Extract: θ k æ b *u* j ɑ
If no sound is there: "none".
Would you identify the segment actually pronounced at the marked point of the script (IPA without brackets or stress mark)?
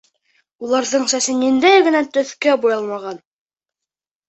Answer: u